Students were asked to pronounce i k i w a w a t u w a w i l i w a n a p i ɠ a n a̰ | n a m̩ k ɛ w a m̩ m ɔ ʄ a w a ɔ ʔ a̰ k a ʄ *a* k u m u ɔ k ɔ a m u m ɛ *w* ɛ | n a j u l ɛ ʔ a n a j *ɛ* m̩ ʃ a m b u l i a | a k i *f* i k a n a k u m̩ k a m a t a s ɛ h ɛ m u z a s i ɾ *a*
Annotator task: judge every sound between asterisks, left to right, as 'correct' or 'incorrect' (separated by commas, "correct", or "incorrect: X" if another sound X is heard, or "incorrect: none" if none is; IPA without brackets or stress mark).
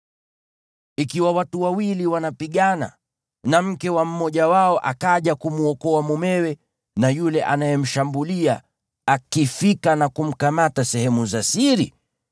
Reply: correct, correct, correct, correct, incorrect: i